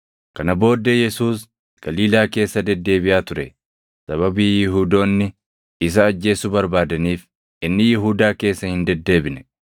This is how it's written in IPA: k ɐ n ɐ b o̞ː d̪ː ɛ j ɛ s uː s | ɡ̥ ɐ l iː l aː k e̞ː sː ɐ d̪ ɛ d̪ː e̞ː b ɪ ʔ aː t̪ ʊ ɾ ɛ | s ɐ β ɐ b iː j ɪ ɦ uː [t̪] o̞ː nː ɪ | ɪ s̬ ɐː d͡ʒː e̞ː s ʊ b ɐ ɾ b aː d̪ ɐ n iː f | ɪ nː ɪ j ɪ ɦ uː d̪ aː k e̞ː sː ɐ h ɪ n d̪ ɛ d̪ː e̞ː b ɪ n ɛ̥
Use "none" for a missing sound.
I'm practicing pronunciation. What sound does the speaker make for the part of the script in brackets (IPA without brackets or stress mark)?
d̪